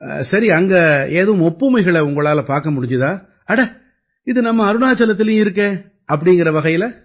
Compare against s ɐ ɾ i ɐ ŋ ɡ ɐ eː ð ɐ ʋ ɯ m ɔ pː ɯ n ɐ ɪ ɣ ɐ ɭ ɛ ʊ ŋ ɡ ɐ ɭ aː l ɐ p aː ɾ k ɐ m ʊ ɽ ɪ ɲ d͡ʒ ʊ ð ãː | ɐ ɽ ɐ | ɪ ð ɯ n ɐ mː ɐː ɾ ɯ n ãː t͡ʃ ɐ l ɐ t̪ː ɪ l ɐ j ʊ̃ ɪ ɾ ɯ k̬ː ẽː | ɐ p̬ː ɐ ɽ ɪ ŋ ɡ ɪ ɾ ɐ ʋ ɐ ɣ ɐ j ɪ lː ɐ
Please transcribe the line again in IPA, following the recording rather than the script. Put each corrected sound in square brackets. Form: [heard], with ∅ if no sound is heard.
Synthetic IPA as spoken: s ɐ ɾ i ɐ ŋ ɡ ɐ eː ð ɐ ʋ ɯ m ɔ pː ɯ [m] ɐ ɪ ɣ ɐ ɭ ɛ ʊ ŋ ɡ ɐ ɭ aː l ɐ p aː ɾ k ɐ m ʊ ɽ ɪ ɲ d͡ʒ [ɯ] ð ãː | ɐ ɽ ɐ | ɪ ð ɯ n ɐ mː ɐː ɾ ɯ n [aː] t͡ʃ ɐ l ɐ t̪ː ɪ l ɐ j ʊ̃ ɪ ɾ ɯ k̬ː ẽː | ɐ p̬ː ɐ ɽ ɪ ŋ ɡ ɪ ɾ ɐ ʋ ɐ ɣ ɐ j ɪ [l] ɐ